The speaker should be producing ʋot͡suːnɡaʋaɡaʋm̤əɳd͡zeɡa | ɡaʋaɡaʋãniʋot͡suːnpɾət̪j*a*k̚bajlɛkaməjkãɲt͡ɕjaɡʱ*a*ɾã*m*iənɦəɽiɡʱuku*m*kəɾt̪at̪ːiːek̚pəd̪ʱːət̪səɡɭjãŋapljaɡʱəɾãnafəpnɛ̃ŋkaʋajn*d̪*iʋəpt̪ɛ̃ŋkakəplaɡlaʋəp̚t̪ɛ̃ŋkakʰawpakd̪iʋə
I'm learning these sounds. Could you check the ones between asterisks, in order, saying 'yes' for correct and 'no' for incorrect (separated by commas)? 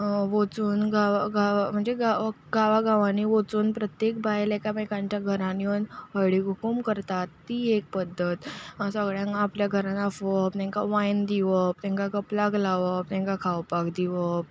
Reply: no, no, no, yes, yes